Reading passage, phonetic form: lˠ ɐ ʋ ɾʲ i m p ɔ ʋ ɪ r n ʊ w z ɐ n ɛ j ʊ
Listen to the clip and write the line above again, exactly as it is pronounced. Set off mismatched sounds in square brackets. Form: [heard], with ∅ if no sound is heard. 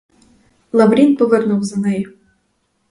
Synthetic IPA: lˠ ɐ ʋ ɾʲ i [n] p ɔ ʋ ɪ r n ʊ w z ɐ n ɛ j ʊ